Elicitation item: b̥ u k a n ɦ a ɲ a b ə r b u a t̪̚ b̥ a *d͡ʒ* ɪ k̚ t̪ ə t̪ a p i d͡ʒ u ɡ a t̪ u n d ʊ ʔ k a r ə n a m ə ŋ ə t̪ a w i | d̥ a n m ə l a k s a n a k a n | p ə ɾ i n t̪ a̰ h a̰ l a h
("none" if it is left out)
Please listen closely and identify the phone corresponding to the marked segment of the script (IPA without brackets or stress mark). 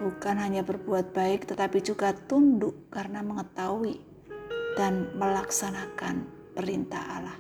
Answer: none